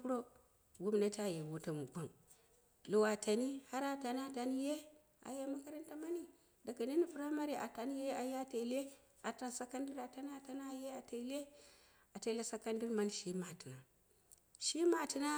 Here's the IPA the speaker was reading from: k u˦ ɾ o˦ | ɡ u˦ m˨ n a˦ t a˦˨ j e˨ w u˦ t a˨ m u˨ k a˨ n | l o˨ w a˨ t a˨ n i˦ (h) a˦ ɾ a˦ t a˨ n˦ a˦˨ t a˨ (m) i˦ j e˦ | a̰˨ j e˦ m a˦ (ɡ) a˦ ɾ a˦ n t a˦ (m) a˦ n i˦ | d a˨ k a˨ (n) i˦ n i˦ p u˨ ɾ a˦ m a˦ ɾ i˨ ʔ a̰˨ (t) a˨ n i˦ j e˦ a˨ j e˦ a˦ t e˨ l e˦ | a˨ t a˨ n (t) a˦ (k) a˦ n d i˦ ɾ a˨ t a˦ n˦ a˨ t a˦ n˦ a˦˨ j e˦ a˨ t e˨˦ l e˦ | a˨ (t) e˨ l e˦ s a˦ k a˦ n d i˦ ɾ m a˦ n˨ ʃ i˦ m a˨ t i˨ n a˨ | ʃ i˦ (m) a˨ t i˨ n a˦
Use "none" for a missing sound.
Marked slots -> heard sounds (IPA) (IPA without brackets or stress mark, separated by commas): h, n, k, m, n, t, s, k, t, m